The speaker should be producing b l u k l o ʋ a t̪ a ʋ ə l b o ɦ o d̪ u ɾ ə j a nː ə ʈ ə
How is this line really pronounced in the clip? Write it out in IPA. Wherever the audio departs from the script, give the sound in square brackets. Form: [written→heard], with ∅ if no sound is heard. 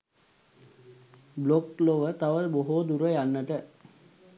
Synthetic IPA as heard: b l [u→o] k l o ʋ [a→ə] t̪ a ʋ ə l b o ɦ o d̪ u ɾ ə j a nː ə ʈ ə